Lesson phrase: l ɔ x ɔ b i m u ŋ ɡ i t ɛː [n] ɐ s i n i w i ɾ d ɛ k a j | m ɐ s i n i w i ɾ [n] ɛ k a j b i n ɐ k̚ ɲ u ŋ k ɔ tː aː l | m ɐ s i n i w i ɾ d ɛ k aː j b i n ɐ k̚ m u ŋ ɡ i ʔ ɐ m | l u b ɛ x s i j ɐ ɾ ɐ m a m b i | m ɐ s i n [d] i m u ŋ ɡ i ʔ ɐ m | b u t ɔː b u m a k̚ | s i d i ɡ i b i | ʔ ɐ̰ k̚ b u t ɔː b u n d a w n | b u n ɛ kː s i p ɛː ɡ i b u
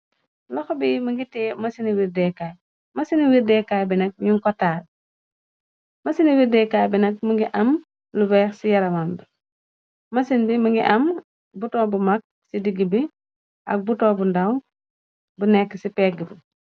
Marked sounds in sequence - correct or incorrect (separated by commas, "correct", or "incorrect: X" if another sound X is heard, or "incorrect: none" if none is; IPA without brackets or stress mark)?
incorrect: m, incorrect: d, incorrect: b